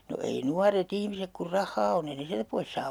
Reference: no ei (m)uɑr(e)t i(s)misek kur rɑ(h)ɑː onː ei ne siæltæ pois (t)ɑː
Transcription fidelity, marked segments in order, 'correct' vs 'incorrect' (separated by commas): incorrect, correct, incorrect, incorrect, incorrect